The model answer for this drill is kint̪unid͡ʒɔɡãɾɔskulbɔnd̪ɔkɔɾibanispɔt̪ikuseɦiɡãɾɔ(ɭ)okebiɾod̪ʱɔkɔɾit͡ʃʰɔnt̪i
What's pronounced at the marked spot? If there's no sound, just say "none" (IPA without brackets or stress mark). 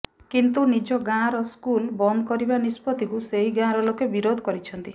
l